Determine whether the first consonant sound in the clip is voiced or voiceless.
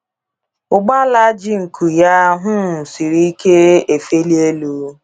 voiced